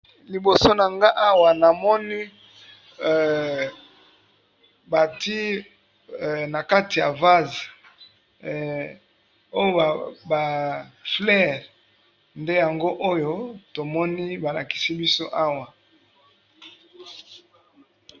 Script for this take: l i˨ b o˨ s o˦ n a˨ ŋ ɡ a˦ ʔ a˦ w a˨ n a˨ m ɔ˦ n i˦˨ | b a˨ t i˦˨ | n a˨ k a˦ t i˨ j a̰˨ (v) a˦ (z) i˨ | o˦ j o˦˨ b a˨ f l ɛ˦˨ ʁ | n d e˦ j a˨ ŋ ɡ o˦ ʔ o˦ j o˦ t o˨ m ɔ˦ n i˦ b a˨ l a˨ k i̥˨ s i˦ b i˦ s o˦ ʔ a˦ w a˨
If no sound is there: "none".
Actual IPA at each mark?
v, z

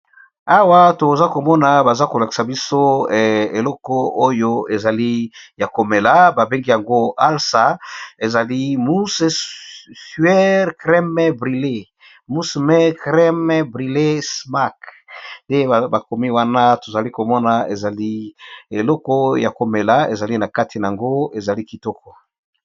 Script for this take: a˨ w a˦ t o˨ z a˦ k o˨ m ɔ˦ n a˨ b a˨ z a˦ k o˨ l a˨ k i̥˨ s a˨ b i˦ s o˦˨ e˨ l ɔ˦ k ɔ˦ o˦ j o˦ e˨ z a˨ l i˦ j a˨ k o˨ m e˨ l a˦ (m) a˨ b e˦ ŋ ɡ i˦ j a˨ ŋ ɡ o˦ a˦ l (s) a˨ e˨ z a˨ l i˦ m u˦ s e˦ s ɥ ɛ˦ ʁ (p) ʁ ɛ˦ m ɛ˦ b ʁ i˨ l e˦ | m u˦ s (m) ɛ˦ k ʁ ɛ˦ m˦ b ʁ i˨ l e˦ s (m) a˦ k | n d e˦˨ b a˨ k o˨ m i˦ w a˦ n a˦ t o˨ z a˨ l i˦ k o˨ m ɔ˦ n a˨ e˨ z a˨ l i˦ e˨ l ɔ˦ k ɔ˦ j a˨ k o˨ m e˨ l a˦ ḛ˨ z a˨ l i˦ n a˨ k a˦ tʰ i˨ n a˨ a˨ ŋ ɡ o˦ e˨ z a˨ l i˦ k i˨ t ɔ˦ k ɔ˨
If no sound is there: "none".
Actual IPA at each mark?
b, s, k, m, m

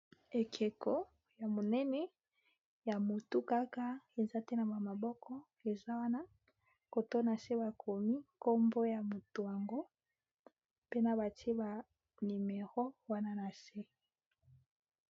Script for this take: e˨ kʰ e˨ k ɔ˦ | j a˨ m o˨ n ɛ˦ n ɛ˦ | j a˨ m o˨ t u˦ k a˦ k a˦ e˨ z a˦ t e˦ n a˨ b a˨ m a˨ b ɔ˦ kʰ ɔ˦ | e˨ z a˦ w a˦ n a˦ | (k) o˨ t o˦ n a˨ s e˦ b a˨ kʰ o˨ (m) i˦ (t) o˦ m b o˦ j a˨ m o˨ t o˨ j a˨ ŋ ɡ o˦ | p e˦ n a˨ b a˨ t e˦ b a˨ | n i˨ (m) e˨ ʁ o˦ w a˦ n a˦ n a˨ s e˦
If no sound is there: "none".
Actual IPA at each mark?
k, m, k, m

